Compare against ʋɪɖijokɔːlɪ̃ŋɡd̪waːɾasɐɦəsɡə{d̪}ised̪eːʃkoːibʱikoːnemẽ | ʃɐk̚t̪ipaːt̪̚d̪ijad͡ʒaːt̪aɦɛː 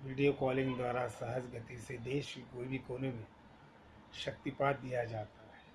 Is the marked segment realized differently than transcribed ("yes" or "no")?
yes